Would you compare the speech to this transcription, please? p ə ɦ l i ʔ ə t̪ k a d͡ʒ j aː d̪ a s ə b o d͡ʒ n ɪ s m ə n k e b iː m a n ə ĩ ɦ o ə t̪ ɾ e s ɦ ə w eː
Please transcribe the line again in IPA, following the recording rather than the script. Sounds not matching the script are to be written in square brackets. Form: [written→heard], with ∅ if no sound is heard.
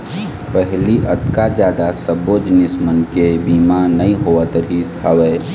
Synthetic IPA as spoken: p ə ɦ l i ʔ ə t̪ k a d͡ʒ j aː d̪ a s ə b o d͡ʒ n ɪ s m ə n k e b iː m a n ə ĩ ɦ o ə t̪ ɾ [e→i] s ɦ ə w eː